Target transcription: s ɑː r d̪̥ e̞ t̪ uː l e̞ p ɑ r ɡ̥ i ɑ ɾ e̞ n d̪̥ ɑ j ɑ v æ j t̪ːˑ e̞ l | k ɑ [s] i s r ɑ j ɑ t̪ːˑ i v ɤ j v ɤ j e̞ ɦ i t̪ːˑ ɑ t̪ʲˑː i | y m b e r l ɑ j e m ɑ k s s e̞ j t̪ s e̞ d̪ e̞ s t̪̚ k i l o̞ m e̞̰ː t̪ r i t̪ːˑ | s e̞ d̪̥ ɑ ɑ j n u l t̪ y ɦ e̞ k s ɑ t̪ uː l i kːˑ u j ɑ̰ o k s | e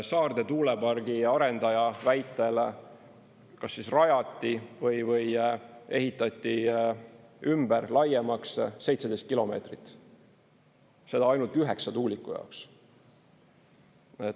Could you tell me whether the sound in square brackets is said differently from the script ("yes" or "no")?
yes